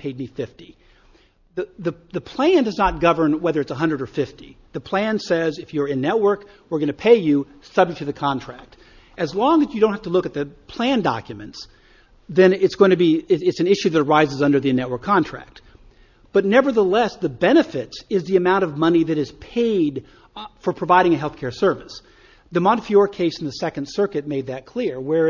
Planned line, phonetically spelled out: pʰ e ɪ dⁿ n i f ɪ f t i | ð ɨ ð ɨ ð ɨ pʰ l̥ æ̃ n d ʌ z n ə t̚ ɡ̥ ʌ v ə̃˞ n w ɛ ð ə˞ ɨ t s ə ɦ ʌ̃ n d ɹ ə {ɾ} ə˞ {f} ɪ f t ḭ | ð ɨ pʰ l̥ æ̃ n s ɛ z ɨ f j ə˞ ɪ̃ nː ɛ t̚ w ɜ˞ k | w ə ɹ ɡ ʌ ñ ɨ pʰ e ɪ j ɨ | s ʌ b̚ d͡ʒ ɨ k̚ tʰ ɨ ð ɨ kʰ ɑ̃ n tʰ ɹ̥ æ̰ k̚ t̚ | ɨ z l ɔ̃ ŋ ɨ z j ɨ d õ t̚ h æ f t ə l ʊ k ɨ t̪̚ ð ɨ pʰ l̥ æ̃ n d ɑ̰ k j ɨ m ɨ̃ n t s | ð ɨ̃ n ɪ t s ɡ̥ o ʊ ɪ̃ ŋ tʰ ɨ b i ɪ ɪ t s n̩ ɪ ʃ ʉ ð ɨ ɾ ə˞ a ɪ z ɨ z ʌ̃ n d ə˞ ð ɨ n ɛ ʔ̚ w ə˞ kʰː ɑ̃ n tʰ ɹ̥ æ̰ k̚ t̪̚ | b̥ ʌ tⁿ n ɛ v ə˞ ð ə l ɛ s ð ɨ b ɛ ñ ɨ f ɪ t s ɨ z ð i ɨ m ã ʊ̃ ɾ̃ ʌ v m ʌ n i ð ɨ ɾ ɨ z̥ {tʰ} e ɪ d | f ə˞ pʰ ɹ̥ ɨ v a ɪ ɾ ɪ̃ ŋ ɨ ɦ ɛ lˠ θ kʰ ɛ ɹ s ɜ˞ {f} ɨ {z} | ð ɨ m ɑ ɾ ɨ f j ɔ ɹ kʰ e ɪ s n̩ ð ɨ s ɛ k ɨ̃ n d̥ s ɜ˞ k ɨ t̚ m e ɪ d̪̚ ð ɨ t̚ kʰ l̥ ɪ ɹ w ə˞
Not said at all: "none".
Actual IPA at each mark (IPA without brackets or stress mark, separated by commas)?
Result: ɾ, f, pʰ, v, s